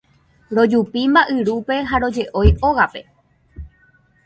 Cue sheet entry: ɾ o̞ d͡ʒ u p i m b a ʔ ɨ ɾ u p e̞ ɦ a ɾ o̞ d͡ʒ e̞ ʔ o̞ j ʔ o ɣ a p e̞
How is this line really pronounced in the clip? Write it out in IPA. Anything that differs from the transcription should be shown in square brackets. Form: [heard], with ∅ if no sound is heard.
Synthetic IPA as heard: ɾ o̞ d͡ʒ u p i m b a ʔ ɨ ɾ u p e̞ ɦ a ɾ o̞ d͡ʒ e̞ ʔ o̞ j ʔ o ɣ a p e̞